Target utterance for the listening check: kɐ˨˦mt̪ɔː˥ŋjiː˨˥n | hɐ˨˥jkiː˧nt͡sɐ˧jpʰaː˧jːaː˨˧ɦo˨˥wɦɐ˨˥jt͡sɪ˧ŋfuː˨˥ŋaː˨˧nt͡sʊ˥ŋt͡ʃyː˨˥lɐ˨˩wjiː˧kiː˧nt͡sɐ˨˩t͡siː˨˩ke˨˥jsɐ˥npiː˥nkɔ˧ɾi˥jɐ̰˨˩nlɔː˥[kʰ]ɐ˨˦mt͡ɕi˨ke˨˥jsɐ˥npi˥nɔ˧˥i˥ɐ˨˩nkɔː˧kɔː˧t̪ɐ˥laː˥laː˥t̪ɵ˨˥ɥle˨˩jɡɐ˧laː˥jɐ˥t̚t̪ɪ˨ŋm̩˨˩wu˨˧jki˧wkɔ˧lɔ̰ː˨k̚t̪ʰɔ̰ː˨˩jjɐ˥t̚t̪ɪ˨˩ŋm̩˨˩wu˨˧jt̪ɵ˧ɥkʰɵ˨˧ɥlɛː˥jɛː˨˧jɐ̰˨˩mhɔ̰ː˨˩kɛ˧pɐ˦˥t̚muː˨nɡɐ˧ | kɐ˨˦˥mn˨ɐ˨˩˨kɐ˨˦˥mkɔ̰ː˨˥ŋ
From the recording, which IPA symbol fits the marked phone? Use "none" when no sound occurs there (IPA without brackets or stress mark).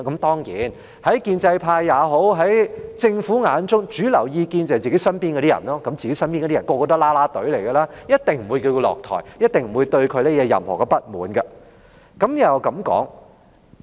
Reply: k